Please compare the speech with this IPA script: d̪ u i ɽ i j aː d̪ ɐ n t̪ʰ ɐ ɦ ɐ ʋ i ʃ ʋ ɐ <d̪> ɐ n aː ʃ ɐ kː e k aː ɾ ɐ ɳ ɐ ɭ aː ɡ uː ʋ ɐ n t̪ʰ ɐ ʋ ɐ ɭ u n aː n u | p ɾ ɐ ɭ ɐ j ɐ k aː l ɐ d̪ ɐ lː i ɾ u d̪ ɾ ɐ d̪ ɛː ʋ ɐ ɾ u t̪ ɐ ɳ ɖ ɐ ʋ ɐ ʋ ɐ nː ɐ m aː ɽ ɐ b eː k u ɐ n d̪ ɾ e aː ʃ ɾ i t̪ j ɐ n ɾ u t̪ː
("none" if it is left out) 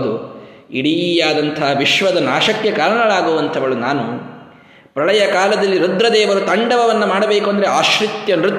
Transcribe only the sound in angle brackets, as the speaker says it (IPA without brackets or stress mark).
d̪